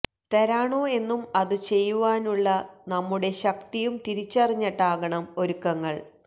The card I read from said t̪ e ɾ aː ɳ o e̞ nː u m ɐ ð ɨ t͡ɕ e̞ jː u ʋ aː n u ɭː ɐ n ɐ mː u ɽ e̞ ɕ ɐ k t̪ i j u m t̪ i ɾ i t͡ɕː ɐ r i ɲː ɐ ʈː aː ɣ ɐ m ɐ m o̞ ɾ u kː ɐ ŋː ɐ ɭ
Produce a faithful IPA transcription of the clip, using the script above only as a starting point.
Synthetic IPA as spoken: t̪ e ɾ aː ɳ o e̞ nː u m ɐ ð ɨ t͡ɕ e̞ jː u ʋ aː n u ɭː ɐ n ɐ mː u ɽ e̞ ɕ ɐ k t̪ i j u m t̪ i ɾ i t͡ɕː ɐ r i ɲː ɐ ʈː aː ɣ ɐ ɳ ɐ m o̞ ɾ u kː ɐ ŋː ɐ ɭ